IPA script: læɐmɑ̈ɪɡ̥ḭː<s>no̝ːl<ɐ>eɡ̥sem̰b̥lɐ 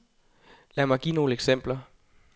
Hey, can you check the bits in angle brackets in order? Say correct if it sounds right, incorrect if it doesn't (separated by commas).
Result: incorrect, incorrect